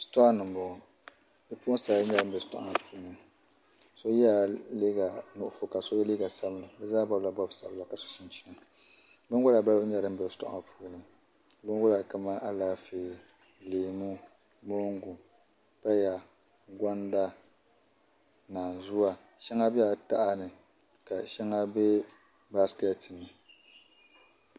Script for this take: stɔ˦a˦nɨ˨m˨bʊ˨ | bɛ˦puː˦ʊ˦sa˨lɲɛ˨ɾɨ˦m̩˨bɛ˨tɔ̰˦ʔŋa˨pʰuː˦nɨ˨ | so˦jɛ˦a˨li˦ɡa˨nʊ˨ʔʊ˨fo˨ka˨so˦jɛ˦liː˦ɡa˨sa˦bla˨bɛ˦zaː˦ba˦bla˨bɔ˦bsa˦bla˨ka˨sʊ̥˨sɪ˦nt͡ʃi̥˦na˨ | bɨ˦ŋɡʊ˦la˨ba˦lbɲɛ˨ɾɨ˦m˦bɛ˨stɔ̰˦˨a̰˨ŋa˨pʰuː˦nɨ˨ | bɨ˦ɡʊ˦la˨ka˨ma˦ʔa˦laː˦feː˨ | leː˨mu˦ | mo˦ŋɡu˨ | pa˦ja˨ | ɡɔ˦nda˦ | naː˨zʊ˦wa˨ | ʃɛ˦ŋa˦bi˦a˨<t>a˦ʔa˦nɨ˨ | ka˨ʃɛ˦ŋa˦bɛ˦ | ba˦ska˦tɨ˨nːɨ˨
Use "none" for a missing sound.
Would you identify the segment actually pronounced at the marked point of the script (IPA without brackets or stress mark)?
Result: t